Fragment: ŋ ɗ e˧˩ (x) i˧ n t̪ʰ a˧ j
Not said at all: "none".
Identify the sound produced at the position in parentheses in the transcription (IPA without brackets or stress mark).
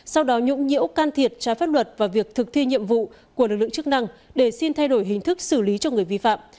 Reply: s